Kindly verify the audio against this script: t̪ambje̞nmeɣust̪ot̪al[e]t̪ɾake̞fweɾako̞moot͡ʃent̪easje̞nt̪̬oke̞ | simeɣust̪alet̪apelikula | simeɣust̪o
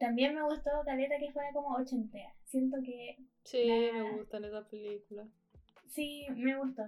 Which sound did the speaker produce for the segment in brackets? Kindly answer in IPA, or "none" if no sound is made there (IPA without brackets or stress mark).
e